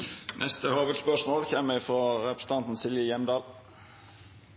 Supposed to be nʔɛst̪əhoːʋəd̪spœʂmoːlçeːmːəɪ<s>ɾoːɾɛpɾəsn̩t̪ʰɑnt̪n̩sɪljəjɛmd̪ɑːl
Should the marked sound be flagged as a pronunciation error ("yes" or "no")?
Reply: yes